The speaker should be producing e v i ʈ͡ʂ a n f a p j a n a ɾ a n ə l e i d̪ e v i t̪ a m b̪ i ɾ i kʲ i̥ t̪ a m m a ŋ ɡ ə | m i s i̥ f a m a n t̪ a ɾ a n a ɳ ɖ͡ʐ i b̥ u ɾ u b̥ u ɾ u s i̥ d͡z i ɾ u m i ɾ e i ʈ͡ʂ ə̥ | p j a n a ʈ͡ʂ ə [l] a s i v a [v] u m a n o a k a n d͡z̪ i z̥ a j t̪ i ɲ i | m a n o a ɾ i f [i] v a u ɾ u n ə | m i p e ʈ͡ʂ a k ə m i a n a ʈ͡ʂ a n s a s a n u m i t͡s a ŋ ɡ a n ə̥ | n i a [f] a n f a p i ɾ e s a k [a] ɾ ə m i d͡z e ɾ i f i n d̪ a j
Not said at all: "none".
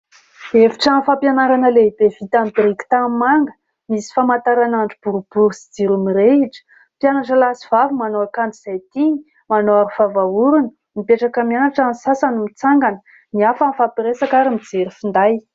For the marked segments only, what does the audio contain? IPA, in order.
l, v, a, f, a

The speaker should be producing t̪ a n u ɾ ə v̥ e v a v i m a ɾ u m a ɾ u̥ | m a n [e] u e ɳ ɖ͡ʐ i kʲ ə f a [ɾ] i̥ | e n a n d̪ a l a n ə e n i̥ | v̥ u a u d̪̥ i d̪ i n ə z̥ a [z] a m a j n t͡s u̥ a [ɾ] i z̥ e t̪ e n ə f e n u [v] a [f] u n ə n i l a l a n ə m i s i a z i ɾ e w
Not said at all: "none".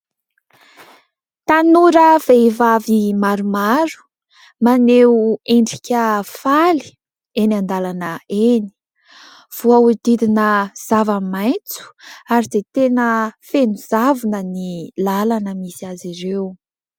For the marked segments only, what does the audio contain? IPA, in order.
e, l, v, ɾ, z, v

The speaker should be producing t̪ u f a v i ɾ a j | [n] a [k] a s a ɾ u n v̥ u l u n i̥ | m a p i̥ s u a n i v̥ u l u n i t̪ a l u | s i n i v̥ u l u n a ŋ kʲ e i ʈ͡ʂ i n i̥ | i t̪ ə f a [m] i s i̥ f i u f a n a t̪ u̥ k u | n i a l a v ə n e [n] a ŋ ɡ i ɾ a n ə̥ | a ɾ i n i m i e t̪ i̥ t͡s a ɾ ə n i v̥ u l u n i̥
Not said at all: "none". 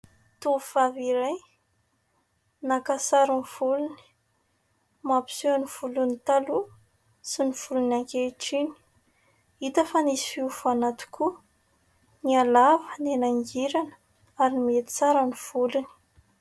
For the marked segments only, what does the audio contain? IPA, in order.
n, k, n, n

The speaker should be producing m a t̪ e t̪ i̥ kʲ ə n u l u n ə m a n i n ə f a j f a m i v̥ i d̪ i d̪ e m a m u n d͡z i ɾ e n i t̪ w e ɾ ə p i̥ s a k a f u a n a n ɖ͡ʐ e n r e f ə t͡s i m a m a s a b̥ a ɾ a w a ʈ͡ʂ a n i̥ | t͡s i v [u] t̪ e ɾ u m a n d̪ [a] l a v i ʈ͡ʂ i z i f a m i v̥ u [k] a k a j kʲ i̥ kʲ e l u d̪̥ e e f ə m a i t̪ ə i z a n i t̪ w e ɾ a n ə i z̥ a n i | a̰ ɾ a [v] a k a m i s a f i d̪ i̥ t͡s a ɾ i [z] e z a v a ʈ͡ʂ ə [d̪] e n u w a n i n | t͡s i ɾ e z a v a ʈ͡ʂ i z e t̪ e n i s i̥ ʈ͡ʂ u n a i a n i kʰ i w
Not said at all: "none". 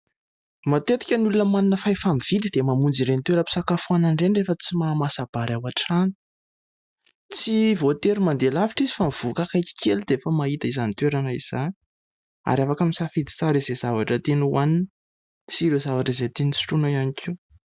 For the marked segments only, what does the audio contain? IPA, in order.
o, e, k, f, z, t̪

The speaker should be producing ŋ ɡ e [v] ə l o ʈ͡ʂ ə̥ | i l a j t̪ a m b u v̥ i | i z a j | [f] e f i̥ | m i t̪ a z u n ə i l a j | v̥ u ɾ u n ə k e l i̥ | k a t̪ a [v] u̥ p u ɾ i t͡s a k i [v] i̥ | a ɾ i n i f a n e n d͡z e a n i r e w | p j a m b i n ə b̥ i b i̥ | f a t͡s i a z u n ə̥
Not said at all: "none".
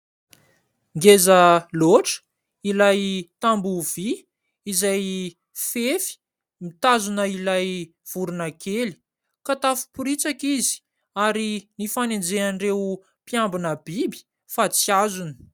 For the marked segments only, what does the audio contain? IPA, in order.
z, f, f, z

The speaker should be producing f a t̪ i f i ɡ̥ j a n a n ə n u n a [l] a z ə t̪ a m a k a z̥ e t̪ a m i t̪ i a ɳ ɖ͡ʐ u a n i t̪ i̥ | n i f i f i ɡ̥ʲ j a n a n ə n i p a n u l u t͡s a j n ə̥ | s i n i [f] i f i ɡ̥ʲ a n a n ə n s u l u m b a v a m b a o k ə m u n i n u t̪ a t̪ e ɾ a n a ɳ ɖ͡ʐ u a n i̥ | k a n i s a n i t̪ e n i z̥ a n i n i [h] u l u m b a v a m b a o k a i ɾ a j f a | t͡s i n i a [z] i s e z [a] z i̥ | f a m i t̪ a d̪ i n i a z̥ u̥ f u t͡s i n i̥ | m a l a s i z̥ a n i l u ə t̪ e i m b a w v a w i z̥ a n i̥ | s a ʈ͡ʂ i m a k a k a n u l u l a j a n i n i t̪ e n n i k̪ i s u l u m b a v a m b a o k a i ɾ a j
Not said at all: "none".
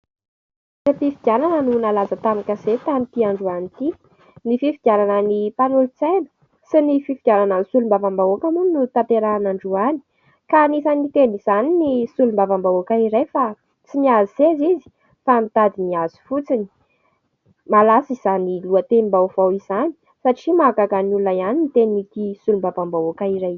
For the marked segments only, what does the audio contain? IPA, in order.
l, f, s, z, i

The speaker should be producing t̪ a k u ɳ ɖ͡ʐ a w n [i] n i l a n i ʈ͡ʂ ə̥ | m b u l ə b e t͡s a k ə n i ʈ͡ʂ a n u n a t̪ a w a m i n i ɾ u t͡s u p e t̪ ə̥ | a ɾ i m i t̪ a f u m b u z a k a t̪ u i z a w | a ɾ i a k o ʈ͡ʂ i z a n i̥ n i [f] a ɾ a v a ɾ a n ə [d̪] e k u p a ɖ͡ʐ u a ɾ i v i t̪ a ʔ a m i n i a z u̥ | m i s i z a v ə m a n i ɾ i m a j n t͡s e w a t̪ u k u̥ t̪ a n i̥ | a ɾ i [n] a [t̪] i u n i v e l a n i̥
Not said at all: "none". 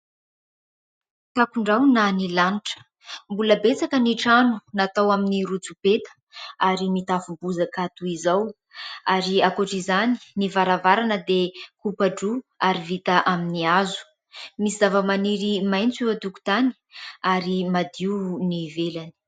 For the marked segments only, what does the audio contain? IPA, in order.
a, v, d̪, m, d̪

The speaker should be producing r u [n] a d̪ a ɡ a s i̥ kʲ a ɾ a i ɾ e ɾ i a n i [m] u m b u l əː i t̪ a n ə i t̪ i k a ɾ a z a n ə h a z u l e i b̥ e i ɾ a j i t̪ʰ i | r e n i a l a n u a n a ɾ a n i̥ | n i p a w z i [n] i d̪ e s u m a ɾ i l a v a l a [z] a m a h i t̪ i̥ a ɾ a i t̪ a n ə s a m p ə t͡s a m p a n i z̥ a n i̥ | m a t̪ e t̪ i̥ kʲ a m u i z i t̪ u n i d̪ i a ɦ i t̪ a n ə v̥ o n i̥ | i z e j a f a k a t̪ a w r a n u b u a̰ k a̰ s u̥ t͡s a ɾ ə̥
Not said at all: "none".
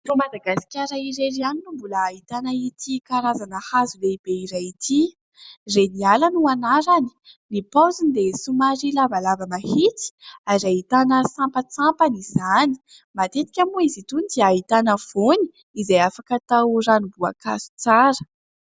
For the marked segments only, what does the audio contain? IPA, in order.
m, n, n, v

